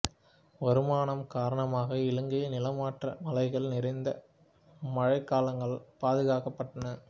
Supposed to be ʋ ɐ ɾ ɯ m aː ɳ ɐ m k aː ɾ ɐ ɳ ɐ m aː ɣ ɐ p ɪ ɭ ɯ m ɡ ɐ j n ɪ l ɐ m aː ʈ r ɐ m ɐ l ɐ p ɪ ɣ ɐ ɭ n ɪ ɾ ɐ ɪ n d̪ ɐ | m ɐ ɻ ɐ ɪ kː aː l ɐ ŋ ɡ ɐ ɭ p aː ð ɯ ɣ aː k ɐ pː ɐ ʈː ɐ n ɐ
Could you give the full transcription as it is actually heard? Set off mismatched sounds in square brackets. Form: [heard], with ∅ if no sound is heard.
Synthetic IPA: ʋ ɐ ɾ ɯ m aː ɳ ɐ m k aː ɾ ɐ ɳ ɐ m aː ɣ ɐ [∅] ɪ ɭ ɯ [ŋ] ɡ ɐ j n ɪ l ɐ m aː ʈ r ɐ m ɐ l ɐ [∅] ɪ ɣ ɐ ɭ n ɪ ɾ ɐ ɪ n d̪ ɐ | m ɐ ɻ ɐ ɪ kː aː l ɐ ŋ ɡ ɐ ɭ p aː ð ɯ ɣ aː k ɐ pː ɐ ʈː ɐ n ɐ

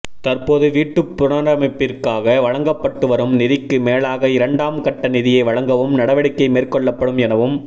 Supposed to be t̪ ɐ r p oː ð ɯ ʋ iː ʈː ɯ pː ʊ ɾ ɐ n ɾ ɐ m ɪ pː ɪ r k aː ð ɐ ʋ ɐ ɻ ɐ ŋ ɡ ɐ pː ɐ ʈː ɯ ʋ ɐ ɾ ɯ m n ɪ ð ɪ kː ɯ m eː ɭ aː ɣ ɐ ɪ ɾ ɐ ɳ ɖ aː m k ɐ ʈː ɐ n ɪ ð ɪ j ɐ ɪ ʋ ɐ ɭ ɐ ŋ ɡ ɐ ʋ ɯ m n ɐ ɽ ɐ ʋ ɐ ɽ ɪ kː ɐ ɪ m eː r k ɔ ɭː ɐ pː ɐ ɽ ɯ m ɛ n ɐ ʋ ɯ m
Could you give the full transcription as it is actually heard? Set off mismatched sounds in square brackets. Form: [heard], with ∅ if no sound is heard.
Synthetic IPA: t̪ ɐ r p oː ð ɯ ʋ iː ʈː ɯ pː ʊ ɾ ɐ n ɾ ɐ m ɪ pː ɪ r k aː [ɣ] ɐ ʋ ɐ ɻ ɐ ŋ ɡ ɐ pː ɐ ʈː ɯ ʋ ɐ ɾ ɯ m n ɪ ð ɪ kː ɯ m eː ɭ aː ɣ ɐ ɪ ɾ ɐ ɳ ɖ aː m k ɐ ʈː ɐ n ɪ ð ɪ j ɐ ɪ ʋ ɐ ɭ ɐ ŋ ɡ ɐ ʋ ɯ m n ɐ ɽ ɐ ʋ ɐ ɽ ɪ kː ɐ ɪ m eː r k ɔ ɭː ɐ pː ɐ ɽ ɯ m ɛ n ɐ ʋ ɯ m

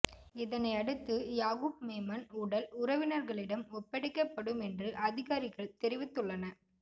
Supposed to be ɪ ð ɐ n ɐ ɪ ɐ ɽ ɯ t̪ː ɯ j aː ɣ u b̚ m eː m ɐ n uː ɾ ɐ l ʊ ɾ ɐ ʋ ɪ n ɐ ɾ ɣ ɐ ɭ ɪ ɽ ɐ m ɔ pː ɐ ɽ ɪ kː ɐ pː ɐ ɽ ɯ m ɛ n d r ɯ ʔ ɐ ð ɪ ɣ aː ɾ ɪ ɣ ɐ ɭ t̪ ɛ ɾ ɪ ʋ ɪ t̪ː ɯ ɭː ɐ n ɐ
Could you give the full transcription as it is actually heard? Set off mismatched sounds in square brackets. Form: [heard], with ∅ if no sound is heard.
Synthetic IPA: ɪ ð ɐ n ɐ ɪ ɐ ɽ ɯ t̪ː ɯ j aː ɣ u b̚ m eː m ɐ n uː [ɽ] ɐ l ʊ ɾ ɐ ʋ ɪ n ɐ ɾ ɣ ɐ ɭ ɪ ɽ ɐ m ɔ pː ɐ ɽ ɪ kː ɐ pː ɐ ɽ ɯ m ɛ n d r ɯ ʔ ɐ ð ɪ ɣ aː ɾ ɪ ɣ ɐ ɭ t̪ ɛ ɾ ɪ ʋ ɪ t̪ː ɯ ɭː ɐ n ɐ

